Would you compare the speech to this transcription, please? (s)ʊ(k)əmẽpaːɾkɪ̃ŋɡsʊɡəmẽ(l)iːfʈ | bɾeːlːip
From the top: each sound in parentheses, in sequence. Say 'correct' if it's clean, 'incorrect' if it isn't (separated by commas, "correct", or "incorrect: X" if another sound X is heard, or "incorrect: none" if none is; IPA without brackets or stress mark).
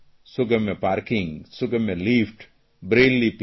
correct, incorrect: ɡ, correct